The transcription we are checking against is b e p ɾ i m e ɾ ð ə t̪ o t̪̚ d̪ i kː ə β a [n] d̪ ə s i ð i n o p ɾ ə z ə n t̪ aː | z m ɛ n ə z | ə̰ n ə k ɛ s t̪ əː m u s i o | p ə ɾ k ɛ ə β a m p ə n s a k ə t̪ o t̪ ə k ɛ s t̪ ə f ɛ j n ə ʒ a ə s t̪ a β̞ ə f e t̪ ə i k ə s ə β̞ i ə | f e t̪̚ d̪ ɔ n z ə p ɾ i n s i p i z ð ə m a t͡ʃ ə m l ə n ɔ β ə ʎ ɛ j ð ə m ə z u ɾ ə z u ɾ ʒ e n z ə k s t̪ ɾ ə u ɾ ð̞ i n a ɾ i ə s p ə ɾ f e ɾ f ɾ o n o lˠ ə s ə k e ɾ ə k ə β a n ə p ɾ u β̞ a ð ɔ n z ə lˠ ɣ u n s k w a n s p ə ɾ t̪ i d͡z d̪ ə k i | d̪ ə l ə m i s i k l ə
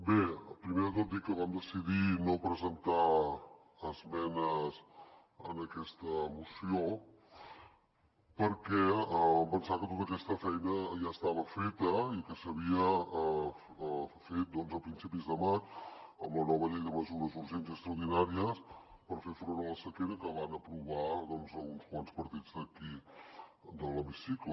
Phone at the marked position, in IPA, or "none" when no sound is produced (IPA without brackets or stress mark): m